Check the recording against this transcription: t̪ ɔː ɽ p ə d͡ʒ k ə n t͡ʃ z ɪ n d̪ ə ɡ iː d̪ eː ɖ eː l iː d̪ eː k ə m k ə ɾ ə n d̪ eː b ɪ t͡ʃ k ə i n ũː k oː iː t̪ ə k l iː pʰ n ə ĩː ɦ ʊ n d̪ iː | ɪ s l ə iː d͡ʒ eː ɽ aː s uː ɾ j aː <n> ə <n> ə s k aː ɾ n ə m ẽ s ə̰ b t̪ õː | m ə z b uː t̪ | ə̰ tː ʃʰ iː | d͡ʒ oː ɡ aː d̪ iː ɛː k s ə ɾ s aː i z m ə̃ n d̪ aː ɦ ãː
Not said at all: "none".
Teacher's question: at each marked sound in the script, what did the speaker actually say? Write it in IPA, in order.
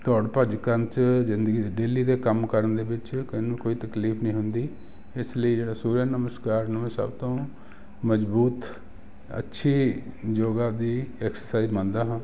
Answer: n, m

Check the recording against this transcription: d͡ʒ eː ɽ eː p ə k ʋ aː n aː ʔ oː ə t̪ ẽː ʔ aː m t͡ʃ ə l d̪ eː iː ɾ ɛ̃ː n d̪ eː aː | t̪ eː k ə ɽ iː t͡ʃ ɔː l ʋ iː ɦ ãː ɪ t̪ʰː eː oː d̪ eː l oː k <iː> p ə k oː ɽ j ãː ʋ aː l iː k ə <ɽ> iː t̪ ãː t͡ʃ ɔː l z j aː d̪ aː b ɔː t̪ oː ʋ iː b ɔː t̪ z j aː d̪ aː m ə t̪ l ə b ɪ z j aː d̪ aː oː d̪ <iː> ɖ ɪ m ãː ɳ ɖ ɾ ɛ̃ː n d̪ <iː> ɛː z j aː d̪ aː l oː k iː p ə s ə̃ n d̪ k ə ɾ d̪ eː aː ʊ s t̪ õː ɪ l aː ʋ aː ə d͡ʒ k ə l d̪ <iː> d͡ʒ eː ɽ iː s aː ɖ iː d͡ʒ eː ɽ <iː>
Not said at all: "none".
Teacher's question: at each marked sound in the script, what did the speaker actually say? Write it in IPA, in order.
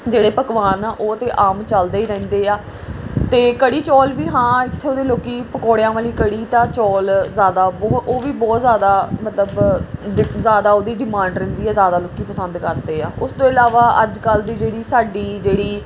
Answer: iː, ɽ, iː, iː, iː, iː

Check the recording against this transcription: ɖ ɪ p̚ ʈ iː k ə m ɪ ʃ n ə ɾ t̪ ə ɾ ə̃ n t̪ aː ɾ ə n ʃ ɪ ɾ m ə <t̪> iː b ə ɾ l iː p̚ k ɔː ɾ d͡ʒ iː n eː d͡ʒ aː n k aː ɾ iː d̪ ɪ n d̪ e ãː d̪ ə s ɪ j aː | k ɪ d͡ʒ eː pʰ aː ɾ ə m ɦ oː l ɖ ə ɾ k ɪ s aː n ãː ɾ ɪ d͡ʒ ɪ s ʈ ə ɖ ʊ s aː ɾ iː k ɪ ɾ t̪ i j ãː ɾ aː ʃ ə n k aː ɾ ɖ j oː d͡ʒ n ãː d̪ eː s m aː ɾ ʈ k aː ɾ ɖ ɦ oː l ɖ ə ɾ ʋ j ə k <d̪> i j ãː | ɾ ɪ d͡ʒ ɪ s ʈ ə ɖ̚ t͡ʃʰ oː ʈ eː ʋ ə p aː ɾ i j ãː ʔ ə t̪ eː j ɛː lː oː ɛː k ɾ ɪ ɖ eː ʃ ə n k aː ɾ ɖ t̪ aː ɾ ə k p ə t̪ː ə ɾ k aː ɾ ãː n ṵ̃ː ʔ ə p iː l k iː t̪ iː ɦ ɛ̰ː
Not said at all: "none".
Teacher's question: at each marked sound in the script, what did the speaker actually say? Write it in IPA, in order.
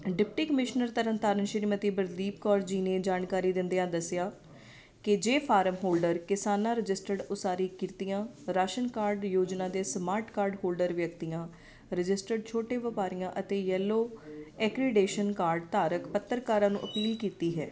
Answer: t̪, t̪

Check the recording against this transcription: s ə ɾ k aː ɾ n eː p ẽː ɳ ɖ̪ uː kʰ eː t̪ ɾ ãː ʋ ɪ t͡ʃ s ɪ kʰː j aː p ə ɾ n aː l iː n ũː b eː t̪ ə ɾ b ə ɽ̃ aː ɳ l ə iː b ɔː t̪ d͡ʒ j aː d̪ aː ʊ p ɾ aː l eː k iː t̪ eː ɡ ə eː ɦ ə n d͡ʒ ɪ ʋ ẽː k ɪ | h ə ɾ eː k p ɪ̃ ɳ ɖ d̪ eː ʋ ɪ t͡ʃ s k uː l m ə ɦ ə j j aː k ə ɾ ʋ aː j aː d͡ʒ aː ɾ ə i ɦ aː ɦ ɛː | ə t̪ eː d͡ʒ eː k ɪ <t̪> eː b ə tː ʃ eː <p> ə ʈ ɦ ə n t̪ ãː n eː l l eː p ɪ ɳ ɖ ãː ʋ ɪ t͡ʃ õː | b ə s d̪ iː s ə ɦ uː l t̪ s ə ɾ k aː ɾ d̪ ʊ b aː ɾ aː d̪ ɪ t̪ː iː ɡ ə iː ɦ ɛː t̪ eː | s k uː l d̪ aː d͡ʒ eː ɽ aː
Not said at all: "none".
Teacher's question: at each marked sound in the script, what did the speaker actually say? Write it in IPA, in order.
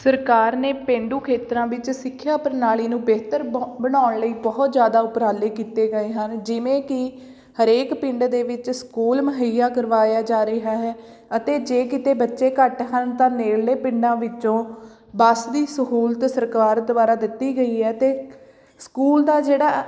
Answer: t̪, k

